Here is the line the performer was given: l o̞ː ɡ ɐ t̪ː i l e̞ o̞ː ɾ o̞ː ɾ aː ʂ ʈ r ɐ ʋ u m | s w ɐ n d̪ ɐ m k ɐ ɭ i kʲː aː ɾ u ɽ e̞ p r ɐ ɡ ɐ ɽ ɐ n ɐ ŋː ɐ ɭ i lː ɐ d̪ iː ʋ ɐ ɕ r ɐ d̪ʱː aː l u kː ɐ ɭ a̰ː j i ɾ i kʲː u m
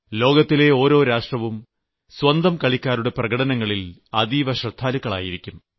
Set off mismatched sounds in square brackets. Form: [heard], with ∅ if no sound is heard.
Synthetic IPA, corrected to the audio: l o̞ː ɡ ɐ t̪ː i l e̞ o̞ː ɾ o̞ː ɾ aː ʂ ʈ r ɐ ʋ u m | s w ɐ n d̪ ɐ m k ɐ ɭ i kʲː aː ɾ u ɽ e̞ p r ɐ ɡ ɐ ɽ ɐ n ɐ ŋː ɐ ɭ i [l] ɐ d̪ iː ʋ ɐ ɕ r ɐ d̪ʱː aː l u kː ɐ ɭ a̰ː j i ɾ i kʲː u m